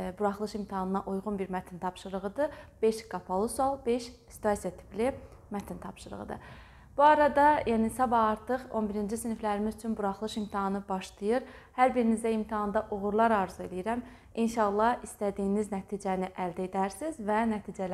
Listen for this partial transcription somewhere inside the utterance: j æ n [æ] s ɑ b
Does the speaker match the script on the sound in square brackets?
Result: no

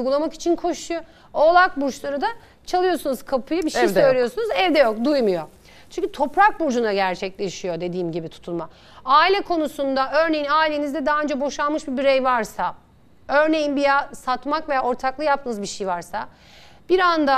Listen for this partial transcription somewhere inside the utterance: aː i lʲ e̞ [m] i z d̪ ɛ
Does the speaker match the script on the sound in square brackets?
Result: no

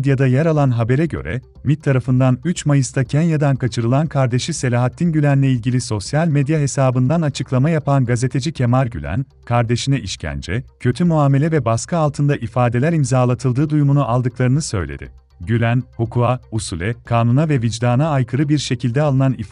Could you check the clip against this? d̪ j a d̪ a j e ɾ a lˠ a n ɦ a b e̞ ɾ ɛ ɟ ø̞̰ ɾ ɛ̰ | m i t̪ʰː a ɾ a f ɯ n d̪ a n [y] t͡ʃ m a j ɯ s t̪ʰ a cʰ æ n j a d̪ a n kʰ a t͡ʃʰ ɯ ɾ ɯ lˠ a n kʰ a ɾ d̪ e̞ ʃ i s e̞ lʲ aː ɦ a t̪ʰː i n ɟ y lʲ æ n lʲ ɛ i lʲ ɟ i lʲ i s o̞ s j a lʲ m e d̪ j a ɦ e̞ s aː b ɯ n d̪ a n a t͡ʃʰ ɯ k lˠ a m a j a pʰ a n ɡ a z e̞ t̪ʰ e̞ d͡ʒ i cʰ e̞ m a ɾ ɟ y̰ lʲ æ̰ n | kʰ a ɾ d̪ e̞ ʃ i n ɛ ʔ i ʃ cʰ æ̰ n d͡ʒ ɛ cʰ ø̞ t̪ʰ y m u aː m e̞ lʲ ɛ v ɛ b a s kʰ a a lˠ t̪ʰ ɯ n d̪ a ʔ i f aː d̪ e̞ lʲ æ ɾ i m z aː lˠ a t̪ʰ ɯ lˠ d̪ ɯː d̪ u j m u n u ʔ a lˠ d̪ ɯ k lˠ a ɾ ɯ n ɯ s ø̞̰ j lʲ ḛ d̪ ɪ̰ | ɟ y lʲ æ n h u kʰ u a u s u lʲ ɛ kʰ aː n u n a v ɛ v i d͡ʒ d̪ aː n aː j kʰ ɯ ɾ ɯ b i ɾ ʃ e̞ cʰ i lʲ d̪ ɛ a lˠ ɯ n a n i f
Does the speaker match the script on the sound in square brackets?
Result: yes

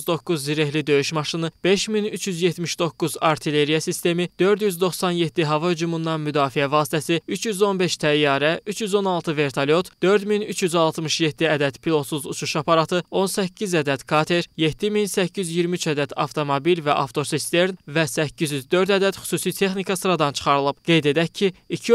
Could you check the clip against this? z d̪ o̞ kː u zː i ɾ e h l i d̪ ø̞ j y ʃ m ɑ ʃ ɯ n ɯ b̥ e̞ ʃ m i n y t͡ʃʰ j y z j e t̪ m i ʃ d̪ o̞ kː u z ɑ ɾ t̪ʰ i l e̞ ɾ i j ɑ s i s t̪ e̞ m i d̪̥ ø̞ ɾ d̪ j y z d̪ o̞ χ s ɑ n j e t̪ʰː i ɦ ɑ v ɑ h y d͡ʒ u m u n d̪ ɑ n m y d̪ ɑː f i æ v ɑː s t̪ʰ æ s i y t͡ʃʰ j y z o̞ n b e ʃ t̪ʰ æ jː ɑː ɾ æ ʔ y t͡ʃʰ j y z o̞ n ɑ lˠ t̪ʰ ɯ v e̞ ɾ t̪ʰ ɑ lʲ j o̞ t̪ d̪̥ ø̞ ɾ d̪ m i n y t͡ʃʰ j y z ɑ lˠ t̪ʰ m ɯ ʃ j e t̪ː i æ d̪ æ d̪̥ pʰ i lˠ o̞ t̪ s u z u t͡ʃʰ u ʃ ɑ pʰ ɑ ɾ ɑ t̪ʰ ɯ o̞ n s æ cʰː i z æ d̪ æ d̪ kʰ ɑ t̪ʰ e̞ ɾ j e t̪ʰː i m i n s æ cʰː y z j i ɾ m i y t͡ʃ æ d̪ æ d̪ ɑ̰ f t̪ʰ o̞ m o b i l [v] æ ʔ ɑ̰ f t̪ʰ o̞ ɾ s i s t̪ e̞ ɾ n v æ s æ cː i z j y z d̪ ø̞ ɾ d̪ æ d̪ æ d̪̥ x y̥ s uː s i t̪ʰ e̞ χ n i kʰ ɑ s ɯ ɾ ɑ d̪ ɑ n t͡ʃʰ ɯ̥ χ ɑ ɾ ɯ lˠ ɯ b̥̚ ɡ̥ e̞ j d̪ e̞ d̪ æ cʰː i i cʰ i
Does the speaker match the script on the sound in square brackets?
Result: yes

